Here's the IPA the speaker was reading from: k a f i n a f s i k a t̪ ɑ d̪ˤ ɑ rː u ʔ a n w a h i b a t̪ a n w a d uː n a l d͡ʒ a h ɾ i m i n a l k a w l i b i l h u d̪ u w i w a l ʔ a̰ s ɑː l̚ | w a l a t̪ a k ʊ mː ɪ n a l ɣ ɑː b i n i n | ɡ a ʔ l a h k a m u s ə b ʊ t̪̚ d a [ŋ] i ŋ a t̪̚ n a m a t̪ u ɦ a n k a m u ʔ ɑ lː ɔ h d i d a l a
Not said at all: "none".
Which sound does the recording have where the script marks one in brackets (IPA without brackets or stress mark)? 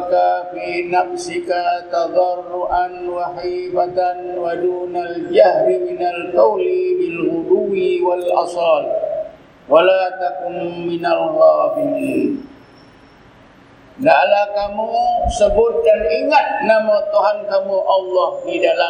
n